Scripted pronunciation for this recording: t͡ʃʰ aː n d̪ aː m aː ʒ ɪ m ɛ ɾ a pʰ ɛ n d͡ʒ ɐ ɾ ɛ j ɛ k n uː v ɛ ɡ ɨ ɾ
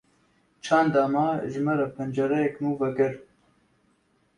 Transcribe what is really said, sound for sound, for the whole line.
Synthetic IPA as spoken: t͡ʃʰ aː n d̪ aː m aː ʒ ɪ m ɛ ɾ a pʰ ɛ n d͡ʒ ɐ ɾ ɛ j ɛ k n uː v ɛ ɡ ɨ ɾ